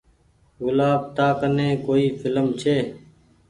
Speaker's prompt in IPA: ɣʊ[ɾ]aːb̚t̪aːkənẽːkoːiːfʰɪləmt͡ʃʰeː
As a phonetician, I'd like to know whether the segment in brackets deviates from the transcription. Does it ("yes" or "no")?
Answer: yes